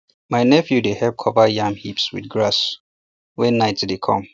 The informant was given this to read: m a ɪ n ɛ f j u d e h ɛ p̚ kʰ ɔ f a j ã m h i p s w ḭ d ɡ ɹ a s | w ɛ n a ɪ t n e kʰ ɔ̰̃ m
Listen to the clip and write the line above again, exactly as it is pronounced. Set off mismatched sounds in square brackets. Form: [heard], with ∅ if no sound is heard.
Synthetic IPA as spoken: m a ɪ n ɛ f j u d e h ɛ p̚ kʰ ɔ [v] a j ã m h i p s w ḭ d ɡ ɹ a s | w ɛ n a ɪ t [d] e kʰ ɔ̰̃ m